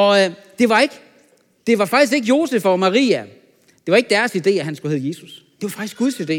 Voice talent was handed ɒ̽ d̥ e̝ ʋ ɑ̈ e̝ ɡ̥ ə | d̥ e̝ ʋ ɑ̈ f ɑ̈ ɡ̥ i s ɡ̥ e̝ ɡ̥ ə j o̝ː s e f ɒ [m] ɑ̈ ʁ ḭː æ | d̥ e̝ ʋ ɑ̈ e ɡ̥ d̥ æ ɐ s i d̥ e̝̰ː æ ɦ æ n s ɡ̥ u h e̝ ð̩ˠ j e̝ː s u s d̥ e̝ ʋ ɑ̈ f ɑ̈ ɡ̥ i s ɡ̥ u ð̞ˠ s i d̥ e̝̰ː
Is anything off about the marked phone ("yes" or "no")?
no